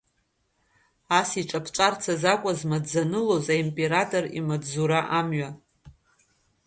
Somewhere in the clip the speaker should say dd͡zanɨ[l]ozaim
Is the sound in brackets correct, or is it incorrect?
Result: correct